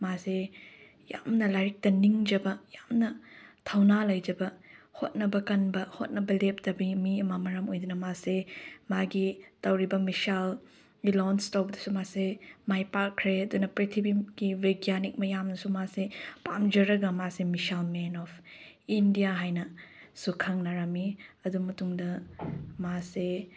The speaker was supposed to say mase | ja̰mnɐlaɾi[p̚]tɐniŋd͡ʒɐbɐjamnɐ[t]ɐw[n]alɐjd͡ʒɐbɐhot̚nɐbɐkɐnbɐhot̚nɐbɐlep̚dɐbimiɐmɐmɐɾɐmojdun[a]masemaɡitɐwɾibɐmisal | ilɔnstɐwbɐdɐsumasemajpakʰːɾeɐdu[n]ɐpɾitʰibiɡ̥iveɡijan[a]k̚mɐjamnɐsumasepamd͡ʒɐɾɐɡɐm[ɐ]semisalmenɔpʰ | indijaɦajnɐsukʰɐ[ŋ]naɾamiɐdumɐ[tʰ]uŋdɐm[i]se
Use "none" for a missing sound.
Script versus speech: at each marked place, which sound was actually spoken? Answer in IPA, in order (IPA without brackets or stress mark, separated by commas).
k̚, tʰ, n, ɐ, n, i, a, ŋ, t, a